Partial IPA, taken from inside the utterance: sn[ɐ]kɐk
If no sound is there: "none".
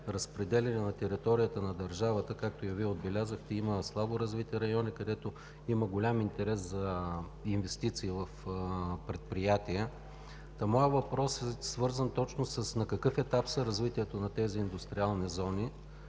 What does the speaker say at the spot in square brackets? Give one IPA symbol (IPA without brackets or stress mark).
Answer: ɐ